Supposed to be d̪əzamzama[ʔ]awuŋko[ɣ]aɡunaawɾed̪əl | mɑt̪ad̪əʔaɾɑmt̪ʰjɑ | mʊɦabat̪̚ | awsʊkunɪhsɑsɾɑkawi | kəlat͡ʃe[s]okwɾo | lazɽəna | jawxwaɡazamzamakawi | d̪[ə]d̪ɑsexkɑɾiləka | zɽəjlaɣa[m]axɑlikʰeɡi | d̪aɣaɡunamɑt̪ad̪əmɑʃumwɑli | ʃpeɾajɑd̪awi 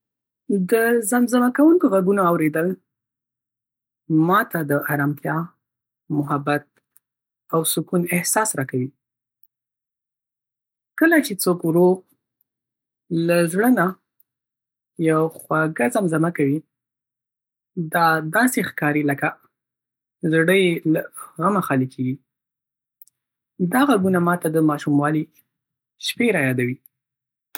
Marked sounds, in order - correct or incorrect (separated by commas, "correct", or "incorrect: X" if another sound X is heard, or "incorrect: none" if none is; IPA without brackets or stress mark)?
incorrect: k, correct, incorrect: t͡s, incorrect: ɑ, correct